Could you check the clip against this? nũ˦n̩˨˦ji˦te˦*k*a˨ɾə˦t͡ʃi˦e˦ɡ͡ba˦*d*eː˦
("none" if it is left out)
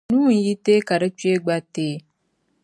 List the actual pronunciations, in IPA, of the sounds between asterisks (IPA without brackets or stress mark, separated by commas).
k, t